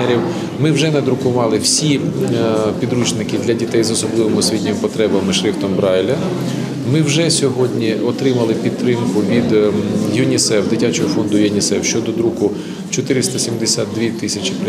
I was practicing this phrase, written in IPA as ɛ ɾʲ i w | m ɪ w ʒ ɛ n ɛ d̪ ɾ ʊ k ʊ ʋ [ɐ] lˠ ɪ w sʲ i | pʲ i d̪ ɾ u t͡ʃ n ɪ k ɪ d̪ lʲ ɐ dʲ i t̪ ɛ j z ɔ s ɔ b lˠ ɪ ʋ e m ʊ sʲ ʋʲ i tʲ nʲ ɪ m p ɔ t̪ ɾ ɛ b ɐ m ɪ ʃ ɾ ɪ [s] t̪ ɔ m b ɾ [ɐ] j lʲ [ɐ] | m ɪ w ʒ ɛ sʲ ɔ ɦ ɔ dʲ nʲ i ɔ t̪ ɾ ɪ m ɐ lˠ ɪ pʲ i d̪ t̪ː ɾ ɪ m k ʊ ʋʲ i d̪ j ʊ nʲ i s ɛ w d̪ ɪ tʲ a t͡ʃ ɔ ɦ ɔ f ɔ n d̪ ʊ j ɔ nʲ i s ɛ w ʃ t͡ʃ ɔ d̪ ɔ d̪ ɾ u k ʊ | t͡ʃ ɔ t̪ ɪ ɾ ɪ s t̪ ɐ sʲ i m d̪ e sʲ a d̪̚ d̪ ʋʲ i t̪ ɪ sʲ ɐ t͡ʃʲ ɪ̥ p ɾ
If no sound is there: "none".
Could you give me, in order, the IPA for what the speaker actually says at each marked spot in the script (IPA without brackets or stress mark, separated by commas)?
ɑ, f, ɑ, ɐ